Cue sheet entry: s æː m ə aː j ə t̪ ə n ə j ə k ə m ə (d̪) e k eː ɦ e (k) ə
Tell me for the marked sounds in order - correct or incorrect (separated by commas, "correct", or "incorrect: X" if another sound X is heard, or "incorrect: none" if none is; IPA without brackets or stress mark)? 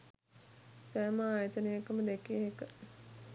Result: correct, correct